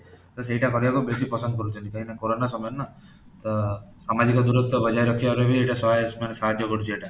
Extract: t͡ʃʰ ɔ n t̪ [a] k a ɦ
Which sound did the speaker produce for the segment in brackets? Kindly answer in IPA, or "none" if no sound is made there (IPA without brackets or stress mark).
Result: i